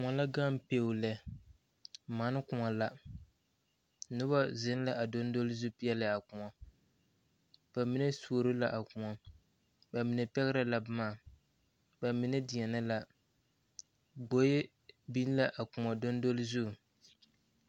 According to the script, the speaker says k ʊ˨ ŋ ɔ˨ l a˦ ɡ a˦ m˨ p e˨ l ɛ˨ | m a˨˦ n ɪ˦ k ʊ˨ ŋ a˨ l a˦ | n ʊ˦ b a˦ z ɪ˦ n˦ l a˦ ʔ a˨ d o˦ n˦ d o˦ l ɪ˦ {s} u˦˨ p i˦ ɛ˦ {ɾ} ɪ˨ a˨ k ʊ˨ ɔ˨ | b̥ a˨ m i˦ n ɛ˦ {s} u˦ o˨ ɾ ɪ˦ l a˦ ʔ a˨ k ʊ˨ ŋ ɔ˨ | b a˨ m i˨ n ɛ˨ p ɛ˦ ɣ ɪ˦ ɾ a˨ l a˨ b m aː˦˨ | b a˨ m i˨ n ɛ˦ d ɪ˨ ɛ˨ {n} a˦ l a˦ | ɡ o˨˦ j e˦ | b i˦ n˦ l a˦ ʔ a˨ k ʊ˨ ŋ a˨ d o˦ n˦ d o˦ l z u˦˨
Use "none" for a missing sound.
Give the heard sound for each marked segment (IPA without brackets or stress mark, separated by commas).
z, l, s, n